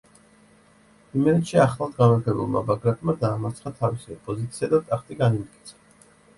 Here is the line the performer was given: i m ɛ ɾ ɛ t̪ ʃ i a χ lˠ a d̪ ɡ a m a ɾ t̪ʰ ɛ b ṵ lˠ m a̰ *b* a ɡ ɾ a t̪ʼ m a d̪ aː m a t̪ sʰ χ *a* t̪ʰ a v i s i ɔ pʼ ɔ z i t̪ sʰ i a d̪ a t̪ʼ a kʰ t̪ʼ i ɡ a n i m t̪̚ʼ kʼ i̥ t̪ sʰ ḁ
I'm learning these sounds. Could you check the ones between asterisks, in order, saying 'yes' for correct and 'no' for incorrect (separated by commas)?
yes, yes